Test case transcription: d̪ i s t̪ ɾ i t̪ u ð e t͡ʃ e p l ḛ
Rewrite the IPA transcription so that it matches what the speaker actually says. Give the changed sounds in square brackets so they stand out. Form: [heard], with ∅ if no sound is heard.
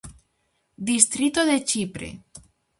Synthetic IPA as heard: d̪ i s t̪ ɾ i t̪ [o] ð e t͡ʃ [i] p [ɾ] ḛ